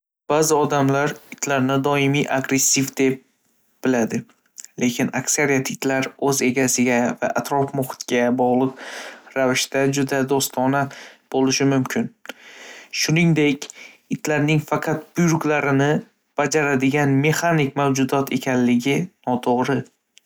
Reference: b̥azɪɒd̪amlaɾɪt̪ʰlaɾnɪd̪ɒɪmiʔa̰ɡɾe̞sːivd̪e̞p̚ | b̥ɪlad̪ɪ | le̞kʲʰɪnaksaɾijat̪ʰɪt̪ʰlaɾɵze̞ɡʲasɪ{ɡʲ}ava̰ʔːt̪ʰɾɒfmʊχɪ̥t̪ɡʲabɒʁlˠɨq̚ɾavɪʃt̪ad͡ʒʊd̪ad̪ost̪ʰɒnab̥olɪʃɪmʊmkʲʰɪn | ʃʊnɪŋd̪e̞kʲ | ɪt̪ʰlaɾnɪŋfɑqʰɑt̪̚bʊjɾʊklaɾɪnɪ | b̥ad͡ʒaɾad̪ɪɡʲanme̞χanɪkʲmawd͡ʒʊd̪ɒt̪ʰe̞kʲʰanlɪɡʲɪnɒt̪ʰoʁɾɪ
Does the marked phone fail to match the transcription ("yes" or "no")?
no